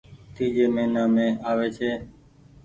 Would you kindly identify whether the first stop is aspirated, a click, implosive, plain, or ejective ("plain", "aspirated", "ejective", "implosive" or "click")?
plain